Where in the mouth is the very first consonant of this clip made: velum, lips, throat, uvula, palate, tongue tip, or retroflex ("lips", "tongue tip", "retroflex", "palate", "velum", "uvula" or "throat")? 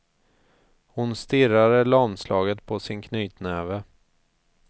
throat